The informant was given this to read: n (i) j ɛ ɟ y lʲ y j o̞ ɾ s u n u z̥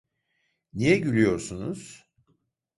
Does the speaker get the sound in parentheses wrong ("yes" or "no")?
no